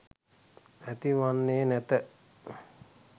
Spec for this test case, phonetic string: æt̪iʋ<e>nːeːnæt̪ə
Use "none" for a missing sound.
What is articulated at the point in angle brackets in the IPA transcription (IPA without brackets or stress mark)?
a